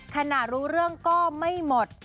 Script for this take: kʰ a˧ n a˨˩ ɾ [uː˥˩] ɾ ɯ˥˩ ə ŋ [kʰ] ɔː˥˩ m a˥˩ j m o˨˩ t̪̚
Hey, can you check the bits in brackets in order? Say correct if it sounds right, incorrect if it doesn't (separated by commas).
incorrect, incorrect